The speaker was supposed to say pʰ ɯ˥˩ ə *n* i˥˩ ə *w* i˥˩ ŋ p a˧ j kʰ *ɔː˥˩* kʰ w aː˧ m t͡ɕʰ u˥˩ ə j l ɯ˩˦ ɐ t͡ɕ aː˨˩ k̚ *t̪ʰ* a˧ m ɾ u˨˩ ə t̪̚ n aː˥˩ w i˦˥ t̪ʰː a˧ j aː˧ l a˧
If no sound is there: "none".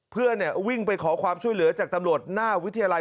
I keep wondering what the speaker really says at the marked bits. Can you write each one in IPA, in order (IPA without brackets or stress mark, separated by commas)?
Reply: n, w, ɔː˩˦, t̪